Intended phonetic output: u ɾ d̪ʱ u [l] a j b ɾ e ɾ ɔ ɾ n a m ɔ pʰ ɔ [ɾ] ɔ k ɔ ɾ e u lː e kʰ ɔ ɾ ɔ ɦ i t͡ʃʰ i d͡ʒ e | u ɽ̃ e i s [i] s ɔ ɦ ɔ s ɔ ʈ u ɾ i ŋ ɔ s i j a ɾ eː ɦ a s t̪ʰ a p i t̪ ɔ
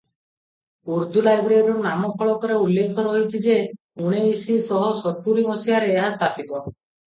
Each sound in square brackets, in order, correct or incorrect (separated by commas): correct, incorrect, correct